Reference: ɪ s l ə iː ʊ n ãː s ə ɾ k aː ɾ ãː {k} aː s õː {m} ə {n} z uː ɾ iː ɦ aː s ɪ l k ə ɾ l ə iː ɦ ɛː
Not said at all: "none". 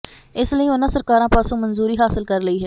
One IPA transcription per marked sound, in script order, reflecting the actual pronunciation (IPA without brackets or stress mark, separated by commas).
p, m, n